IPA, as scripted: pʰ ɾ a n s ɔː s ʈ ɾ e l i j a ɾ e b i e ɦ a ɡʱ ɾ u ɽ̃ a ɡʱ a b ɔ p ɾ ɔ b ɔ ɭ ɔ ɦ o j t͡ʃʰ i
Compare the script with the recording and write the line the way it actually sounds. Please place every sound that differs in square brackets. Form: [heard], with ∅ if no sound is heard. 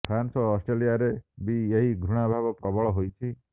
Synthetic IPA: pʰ ɾ a n s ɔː s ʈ ɾ e l i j a ɾ e b i e ɦ [i] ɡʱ ɾ u ɽ̃ a [bʱ] a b ɔ p ɾ ɔ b ɔ ɭ ɔ ɦ o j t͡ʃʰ i